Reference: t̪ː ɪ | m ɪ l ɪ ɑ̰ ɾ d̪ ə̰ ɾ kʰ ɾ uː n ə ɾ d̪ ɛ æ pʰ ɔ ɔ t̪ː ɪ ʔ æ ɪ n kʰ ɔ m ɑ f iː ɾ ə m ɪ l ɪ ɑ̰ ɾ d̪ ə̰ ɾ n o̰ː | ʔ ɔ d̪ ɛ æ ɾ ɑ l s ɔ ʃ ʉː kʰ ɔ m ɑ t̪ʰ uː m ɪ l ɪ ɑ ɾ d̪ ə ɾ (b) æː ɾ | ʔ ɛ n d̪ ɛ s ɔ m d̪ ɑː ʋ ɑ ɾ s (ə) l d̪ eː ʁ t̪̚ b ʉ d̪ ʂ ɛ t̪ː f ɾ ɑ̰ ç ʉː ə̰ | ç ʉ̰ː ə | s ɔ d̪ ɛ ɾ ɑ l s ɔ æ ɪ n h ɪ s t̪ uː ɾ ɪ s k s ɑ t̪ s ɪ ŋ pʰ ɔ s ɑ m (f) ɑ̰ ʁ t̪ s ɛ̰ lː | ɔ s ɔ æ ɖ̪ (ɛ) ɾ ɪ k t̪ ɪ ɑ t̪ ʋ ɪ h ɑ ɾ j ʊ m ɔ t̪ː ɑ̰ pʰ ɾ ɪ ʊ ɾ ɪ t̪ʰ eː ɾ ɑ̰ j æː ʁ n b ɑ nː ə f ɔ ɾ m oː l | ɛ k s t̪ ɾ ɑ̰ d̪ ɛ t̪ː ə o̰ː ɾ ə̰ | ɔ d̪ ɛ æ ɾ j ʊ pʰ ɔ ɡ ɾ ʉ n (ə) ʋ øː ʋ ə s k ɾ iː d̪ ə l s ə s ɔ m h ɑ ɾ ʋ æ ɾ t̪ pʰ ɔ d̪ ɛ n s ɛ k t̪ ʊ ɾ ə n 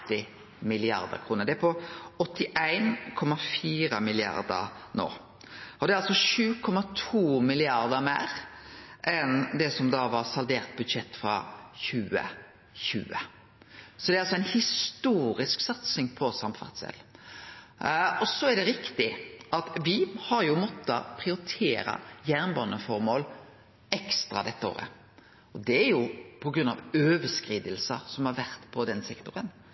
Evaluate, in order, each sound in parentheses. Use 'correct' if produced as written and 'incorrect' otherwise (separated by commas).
incorrect, incorrect, correct, correct, incorrect